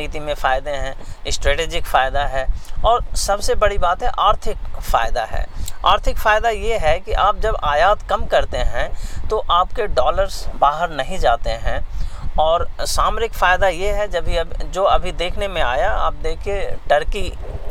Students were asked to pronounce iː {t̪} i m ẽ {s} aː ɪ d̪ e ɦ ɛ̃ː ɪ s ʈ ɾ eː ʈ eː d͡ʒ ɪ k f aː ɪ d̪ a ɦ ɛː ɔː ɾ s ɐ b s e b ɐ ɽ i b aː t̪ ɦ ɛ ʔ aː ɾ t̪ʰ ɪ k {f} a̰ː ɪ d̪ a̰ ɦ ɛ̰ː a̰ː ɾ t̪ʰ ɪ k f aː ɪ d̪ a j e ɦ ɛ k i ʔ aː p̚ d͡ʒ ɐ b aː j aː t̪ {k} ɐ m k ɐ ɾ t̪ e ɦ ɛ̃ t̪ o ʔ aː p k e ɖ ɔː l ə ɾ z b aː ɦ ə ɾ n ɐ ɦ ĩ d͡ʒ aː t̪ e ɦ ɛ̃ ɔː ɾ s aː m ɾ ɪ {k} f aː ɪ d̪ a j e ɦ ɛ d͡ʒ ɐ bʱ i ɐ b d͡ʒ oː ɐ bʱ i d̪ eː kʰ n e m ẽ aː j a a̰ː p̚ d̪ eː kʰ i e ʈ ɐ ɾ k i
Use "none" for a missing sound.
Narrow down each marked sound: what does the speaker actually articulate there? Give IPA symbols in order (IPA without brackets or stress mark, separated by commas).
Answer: t̪, f, f, k, k